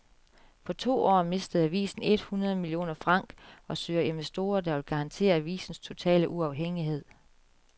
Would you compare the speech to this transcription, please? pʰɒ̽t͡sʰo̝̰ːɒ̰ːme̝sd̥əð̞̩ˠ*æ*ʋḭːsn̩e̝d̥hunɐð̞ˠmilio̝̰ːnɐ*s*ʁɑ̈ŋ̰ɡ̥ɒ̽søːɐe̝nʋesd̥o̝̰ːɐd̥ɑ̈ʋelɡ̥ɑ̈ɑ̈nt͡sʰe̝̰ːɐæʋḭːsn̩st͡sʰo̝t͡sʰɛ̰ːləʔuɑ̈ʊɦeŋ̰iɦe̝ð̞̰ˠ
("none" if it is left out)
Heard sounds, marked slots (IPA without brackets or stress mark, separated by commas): æ, f